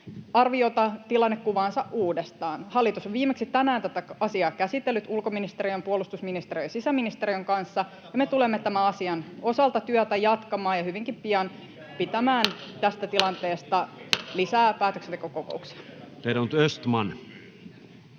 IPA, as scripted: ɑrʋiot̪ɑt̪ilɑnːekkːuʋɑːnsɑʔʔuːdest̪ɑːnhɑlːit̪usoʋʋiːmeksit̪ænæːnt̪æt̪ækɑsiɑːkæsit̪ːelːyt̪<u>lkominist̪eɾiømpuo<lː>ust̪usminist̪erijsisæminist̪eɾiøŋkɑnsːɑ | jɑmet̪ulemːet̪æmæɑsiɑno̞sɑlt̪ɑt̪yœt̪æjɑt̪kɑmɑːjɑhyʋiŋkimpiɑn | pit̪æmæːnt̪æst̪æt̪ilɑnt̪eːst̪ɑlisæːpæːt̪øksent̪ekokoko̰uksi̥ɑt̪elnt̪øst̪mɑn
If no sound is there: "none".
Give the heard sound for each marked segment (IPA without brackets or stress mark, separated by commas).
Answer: u, l